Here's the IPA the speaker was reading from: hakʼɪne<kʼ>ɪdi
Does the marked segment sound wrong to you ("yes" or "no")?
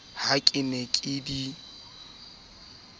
no